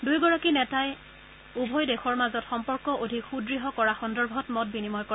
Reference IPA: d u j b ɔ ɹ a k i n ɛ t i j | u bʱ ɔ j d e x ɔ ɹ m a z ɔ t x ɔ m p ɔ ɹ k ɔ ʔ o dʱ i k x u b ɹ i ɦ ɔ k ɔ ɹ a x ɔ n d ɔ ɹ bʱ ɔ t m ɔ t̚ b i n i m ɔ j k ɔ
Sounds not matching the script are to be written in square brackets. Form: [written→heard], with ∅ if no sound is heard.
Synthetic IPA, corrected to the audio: d u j [b→ɡ] ɔ ɹ a k i n ɛ t [i→a] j | u bʱ ɔ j d e x ɔ ɹ m a z ɔ t x ɔ m p ɔ ɹ k ɔ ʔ o dʱ i k x u [b→d] ɹ i ɦ ɔ k ɔ ɹ a x ɔ n d ɔ ɹ bʱ ɔ t m ɔ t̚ b i n i m ɔ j k ɔ